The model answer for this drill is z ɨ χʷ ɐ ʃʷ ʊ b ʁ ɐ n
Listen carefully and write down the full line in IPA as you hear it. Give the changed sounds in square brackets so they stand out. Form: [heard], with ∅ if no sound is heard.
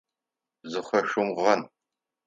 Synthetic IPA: z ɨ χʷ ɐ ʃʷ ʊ [m] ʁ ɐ n